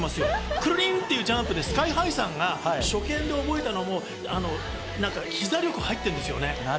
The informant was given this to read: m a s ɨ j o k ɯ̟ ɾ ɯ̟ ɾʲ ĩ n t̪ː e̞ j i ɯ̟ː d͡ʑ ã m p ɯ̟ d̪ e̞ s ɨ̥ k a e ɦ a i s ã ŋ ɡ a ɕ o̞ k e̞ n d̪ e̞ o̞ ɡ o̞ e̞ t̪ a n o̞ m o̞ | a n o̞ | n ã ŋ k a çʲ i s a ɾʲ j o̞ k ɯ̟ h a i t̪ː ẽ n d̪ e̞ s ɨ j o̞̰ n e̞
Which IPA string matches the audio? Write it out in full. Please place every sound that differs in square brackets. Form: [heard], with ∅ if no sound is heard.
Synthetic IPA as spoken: m a s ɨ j o k ɯ̟ ɾ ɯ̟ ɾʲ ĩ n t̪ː e̞ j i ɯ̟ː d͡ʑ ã m p ɯ̟ d̪ e̞ s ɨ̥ k a [i] ɦ a i s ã ŋ ɡ a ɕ o̞ k [ẽ̞] n d̪ e̞ o̞ [b] o̞ e̞ t̪ a n o̞ m o̞ | a n o̞ | n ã ŋ k a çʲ i [z] a ɾʲ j o̞ k ɯ̟ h a i t̪ː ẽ n d̪ e̞ s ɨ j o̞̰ n e̞